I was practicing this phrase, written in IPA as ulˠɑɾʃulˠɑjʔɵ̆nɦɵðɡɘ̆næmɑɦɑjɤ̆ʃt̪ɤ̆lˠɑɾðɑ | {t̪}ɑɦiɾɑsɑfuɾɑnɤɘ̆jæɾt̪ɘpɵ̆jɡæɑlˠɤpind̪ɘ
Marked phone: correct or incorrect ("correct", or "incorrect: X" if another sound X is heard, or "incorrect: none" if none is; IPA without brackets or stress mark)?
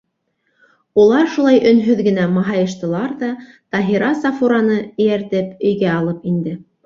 correct